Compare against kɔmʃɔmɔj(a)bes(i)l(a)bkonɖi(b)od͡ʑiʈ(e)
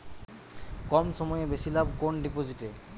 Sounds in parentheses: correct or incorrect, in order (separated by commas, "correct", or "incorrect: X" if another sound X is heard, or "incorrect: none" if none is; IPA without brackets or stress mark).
incorrect: e, correct, correct, incorrect: p, correct